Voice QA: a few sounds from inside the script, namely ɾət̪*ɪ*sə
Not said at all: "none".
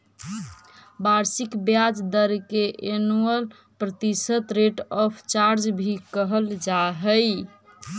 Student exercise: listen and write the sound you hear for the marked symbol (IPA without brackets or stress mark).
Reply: i